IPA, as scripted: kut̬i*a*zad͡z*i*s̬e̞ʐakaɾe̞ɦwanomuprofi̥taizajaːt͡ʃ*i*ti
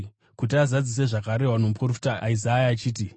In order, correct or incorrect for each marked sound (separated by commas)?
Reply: correct, correct, incorrect